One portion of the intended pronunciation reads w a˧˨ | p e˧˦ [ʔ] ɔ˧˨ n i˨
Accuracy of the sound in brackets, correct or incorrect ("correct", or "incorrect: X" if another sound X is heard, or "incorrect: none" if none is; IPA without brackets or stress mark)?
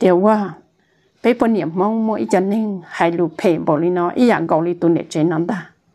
incorrect: p